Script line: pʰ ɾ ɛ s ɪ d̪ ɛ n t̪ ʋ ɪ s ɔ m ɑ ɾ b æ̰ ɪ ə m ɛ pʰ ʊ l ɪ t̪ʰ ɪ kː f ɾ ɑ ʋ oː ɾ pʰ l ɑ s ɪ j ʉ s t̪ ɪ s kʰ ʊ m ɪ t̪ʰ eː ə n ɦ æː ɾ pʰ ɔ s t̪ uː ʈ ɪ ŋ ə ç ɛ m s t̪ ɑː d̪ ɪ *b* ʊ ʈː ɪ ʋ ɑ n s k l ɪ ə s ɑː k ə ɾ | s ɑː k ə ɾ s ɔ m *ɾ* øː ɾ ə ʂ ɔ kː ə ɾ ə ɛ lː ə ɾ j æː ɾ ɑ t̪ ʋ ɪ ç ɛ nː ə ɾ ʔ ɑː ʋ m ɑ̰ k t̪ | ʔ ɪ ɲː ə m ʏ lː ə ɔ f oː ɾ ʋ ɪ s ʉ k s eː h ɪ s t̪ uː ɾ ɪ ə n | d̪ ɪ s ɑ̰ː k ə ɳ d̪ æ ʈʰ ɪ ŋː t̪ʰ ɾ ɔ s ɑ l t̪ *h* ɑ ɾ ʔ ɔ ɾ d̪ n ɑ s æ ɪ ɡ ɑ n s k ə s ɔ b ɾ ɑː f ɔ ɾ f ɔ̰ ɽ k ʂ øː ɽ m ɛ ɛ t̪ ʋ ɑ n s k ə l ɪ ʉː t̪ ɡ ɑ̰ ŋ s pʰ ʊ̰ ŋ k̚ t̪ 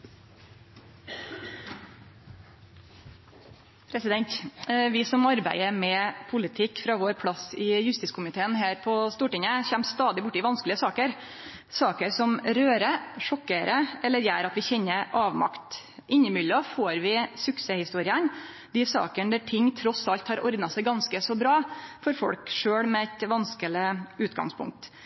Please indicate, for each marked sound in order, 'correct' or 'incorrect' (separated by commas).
correct, correct, correct